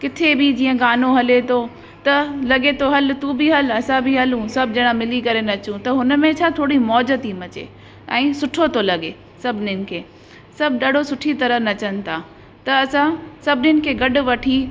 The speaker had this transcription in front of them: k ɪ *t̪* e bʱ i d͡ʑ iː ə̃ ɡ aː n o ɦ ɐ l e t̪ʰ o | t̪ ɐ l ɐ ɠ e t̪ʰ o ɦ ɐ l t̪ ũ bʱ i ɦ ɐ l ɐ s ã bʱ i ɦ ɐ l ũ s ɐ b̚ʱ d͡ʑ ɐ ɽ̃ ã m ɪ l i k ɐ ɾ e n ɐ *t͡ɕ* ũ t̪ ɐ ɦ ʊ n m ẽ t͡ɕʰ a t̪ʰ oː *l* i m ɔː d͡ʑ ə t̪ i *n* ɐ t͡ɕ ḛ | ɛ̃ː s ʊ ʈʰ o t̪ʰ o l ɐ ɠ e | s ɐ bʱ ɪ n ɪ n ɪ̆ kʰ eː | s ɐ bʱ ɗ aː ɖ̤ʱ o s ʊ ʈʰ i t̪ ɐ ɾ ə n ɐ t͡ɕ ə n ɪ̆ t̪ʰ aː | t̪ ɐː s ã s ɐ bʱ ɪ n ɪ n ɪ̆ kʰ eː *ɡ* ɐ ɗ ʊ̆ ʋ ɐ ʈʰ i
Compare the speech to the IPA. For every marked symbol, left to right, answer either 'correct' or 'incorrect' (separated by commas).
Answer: incorrect, correct, incorrect, incorrect, correct